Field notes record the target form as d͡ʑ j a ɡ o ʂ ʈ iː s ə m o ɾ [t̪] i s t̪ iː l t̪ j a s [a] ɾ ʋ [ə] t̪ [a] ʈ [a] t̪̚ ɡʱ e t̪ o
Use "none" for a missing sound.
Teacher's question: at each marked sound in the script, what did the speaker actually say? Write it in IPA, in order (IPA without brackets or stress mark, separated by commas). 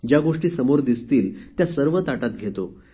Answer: d̪, ə, ə, a, a